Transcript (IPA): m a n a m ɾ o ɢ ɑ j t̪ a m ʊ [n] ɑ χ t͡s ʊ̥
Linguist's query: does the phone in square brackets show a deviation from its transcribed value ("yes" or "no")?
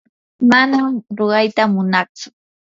no